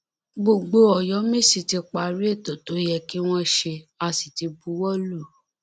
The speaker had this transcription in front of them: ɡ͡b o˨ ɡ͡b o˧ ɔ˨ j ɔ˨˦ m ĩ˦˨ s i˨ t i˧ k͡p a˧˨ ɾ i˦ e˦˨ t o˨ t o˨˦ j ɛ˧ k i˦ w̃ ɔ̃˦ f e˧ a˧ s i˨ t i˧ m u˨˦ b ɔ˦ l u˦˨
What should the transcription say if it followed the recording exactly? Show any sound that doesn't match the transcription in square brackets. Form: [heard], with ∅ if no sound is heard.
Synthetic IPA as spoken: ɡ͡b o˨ ɡ͡b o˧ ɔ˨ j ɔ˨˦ m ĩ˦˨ s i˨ t i˧ k͡p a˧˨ ɾ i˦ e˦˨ t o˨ t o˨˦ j ɛ˧ k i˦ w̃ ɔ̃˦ [ʃ] e˧ a˧ s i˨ t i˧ [b] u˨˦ [w] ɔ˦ l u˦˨

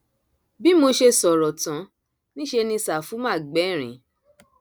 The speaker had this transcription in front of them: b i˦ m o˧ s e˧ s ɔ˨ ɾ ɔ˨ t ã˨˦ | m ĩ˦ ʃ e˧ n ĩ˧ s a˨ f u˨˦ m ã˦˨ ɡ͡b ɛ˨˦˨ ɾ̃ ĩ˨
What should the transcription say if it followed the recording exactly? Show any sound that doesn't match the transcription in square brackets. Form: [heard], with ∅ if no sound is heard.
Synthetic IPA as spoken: b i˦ m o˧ [ʃ] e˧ s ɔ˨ ɾ ɔ˨ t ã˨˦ | [n] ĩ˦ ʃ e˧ n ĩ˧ s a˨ f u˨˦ m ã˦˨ ɡ͡b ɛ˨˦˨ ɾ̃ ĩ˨

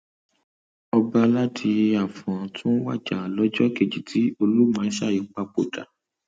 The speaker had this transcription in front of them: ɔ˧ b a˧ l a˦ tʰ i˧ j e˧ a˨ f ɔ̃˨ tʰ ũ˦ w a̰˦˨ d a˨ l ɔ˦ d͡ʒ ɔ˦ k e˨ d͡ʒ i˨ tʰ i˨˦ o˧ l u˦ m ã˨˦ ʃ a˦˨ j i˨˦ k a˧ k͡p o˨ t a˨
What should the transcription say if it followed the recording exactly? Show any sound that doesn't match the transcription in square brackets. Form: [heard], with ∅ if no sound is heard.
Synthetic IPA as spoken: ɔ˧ b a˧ l a˦ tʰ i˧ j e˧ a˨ f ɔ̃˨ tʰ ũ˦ w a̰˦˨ [d͡ʒ] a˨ l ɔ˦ d͡ʒ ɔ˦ k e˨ d͡ʒ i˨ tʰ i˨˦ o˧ l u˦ m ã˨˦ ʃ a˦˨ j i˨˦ [k͡p] a˧ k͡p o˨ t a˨

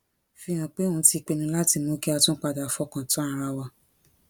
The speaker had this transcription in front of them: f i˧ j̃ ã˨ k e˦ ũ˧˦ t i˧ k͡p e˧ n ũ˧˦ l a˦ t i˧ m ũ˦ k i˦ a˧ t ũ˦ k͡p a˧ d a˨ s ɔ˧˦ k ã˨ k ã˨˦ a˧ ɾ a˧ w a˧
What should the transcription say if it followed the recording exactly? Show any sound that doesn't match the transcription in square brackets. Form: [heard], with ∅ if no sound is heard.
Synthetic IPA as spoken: f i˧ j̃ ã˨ [k͡p] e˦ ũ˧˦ t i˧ k͡p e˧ n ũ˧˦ l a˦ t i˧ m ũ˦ k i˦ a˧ t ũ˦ k͡p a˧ d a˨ [f] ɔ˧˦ k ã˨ [t] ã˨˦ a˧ ɾ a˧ w a˧

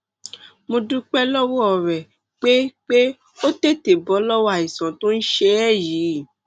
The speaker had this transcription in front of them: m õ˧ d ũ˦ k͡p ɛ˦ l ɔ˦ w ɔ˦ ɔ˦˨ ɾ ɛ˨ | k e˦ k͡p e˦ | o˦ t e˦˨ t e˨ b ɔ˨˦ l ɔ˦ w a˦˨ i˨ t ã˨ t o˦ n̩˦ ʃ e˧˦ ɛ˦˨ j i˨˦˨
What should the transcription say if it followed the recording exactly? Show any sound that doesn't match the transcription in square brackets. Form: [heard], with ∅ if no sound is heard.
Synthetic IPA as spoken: m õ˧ d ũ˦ k͡p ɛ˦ l ɔ˦ w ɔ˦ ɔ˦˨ ɾ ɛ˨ | [k͡p] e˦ k͡p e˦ | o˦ t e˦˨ t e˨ b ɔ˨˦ l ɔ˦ w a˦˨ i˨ [s] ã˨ t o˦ n̩˦ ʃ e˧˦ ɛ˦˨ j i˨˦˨

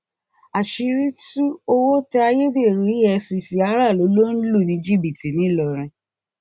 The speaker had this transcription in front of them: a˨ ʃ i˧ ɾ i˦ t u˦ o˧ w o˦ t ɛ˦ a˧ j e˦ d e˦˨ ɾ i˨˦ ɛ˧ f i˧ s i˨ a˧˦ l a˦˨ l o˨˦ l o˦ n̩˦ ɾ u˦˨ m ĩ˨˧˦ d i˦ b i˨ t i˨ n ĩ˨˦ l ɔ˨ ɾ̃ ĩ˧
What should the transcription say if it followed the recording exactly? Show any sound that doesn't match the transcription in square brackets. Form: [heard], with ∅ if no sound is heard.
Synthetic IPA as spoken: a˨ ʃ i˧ ɾ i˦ t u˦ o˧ w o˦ t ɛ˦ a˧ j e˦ d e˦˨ ɾ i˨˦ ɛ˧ [s] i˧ s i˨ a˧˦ [ɾ] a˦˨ l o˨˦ l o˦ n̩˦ [l] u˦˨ [n] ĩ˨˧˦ [d͡ʒ] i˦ b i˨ t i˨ n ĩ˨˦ l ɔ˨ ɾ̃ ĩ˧

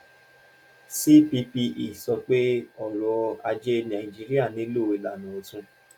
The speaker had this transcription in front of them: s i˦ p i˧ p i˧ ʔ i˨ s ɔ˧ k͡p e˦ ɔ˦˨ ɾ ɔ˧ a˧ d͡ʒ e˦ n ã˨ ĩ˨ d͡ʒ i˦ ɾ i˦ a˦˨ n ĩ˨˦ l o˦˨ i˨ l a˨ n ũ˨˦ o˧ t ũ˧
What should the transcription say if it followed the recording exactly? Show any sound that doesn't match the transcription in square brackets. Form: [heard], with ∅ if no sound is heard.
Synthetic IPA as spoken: s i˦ p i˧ p i˧ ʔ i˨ s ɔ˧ k͡p e˦ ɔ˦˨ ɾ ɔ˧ a˧ d͡ʒ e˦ n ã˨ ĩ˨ d͡ʒ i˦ ɾ i˦ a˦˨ n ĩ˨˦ l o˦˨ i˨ l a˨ n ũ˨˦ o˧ t ũ˧

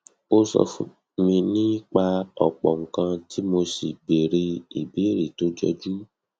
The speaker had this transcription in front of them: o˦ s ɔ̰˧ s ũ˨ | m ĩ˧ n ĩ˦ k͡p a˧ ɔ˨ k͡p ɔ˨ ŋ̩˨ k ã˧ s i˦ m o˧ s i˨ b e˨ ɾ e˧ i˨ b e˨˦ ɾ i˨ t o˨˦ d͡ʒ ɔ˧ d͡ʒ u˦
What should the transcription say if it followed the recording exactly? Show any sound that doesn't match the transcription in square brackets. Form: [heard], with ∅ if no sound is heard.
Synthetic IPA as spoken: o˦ s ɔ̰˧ [f] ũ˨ | m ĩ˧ n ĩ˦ k͡p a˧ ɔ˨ k͡p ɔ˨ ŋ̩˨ k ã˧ [t] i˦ m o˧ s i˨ b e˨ ɾ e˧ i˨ b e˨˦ ɾ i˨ t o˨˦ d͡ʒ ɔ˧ d͡ʒ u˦

